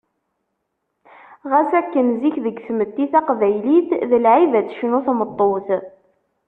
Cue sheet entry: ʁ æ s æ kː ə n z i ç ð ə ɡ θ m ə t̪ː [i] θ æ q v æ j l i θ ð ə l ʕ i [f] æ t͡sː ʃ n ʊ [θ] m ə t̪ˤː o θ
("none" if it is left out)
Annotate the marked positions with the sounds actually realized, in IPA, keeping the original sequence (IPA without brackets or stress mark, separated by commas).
i, v, θ